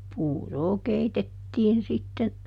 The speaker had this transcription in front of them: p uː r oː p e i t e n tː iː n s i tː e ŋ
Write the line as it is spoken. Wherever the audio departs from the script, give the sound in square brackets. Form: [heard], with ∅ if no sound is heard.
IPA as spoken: p uː r oː [k] e i t e [∅] tː iː n s i tː e [n]